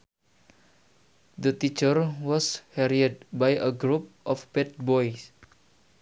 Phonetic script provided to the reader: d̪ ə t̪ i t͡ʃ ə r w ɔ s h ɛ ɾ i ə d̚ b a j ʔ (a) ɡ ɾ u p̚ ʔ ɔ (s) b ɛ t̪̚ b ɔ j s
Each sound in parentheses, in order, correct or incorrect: incorrect: ə, incorrect: f

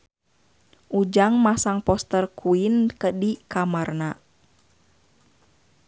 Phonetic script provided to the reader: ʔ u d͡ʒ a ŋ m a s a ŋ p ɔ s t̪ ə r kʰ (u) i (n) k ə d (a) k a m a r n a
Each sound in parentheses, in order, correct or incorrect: correct, correct, incorrect: i

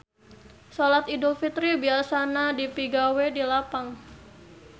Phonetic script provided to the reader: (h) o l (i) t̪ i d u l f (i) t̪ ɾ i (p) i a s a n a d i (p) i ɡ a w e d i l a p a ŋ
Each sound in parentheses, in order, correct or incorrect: incorrect: s, incorrect: a, correct, incorrect: b, correct

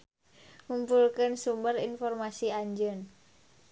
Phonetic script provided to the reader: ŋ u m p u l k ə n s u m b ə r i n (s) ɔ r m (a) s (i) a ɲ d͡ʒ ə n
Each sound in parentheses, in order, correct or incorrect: incorrect: f, correct, correct

